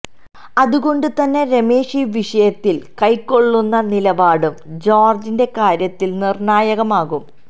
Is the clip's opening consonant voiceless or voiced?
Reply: voiced